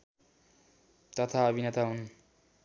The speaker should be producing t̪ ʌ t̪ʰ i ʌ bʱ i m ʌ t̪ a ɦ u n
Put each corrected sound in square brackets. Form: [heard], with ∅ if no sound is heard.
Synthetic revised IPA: t̪ ʌ t̪ʰ [a] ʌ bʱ i [n] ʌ t̪ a ɦ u n